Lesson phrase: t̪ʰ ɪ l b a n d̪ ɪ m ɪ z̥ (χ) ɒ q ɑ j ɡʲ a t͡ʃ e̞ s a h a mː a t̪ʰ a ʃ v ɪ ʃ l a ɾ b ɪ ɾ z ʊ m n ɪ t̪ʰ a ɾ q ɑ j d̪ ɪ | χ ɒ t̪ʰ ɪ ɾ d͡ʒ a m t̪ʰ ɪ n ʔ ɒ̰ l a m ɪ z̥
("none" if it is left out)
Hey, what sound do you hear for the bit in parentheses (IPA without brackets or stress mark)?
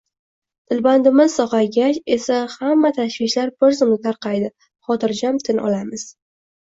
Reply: s